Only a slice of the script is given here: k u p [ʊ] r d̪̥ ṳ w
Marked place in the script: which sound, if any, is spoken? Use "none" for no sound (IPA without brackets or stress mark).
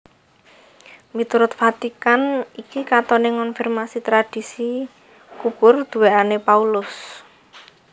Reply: ʊ